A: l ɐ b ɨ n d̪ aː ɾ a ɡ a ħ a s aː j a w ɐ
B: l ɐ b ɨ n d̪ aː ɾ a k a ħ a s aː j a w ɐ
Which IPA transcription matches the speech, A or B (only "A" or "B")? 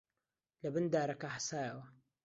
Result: B